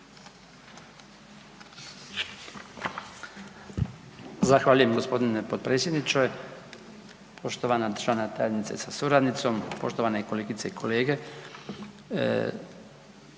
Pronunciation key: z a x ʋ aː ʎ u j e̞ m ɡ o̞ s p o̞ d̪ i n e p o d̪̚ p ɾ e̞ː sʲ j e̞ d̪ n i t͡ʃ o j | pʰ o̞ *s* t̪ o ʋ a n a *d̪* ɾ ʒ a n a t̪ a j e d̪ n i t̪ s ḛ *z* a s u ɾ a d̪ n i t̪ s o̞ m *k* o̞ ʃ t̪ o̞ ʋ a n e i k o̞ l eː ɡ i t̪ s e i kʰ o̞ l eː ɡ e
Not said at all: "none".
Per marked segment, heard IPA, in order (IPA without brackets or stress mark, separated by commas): ʃ, d̪, s, p